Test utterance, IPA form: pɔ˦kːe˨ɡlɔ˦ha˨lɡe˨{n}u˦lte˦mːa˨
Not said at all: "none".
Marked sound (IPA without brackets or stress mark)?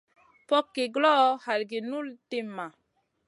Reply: n